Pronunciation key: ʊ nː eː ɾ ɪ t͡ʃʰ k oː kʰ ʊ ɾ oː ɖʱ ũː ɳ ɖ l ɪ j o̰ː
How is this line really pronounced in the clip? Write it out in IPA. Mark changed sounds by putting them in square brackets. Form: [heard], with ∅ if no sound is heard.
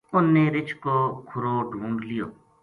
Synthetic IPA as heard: ʊ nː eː ɾ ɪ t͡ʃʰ k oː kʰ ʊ ɾ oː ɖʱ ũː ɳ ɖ l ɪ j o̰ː